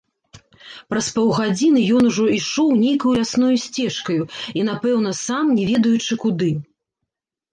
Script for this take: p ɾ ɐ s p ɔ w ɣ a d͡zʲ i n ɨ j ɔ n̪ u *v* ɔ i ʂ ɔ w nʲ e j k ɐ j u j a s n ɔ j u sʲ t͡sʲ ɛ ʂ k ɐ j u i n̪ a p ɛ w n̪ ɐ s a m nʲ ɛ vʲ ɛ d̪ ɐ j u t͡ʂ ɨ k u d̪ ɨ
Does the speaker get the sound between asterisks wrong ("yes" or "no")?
yes